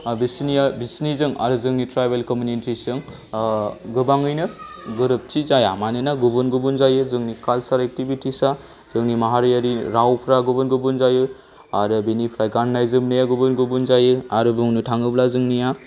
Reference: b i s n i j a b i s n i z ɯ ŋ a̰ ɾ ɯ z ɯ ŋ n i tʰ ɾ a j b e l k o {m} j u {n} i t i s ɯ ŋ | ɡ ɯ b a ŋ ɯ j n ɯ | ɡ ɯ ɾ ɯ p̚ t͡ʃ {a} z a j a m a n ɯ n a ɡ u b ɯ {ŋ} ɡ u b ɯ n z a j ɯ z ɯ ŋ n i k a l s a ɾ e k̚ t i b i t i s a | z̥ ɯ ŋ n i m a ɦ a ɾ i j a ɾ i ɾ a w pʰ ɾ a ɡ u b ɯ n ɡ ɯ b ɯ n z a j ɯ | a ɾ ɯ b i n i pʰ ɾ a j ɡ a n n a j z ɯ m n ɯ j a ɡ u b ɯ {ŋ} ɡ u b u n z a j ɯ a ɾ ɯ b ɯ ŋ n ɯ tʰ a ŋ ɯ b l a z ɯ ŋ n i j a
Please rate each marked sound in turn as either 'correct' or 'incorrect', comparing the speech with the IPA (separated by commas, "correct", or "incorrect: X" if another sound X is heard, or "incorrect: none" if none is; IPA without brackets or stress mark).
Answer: correct, correct, incorrect: i, incorrect: n, incorrect: n